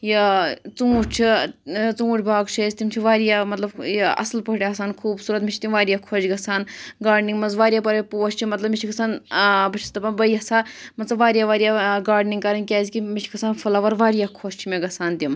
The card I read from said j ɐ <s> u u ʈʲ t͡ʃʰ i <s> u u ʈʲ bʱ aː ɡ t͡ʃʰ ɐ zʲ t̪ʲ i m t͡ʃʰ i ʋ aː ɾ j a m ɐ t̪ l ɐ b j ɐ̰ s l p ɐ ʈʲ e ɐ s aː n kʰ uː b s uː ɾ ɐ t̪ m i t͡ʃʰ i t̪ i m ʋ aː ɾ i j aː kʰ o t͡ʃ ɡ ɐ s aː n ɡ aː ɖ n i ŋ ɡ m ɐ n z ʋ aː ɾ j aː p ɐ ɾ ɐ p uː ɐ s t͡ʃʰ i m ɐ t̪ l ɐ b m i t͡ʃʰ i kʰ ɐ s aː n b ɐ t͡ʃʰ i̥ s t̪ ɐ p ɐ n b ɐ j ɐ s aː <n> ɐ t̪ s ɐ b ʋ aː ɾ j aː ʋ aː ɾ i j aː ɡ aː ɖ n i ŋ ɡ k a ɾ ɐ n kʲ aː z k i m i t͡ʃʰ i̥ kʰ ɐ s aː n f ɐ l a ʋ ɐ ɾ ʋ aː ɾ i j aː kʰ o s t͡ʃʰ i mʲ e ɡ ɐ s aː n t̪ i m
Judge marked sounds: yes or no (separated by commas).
no, no, no